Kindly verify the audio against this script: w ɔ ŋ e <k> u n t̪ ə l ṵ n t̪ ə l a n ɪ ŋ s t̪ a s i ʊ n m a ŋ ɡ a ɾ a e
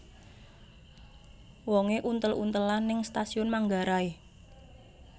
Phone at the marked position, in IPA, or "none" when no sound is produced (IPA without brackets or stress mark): ʔ